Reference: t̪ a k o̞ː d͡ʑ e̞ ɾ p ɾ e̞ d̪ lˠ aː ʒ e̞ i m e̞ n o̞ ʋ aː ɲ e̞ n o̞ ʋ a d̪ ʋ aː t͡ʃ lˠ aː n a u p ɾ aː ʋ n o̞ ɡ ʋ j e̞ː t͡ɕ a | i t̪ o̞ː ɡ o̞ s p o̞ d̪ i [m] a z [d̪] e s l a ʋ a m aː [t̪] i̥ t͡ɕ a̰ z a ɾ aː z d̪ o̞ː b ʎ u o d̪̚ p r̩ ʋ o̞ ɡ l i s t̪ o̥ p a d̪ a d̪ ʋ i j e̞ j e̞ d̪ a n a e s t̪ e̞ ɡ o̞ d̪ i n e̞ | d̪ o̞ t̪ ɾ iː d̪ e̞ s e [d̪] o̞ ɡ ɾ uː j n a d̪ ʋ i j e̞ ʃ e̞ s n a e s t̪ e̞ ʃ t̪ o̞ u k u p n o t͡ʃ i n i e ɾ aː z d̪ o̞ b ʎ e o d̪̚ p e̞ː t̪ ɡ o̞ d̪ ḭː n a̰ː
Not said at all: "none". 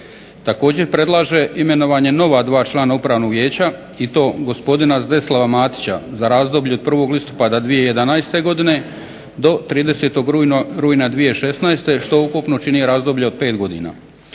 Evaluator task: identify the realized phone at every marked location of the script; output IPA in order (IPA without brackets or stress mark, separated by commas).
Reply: n, d̪, t̪, t̪